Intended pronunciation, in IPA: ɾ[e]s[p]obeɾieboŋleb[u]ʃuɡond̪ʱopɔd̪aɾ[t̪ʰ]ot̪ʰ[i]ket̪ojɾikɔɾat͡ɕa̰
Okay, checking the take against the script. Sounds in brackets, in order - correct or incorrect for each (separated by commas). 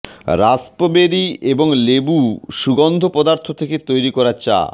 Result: incorrect, correct, correct, correct, incorrect